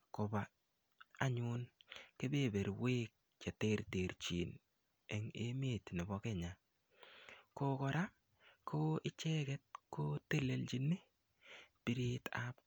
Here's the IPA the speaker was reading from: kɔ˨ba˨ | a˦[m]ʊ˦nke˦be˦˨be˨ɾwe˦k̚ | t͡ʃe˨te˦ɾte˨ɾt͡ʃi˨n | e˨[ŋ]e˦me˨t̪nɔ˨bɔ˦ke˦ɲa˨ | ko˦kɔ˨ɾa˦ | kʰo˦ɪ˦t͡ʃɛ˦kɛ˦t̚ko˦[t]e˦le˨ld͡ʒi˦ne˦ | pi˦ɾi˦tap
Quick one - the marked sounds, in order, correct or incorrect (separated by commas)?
incorrect, correct, correct